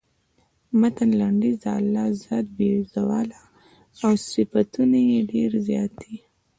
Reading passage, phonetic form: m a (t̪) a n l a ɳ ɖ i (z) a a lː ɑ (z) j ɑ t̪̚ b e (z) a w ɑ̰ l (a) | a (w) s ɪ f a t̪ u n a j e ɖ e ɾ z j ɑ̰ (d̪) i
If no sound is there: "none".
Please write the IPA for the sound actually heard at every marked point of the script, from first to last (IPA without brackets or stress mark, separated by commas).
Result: t̪, z, z, z, a, w, t̪